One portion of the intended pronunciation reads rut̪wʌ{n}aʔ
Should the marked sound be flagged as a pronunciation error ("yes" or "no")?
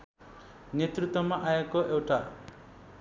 yes